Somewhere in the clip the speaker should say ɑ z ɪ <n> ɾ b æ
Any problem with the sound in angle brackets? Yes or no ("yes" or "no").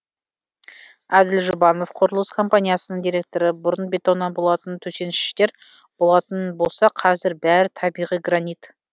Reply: yes